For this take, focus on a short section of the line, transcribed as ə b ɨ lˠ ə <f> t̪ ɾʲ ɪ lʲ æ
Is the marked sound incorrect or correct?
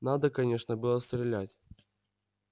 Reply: incorrect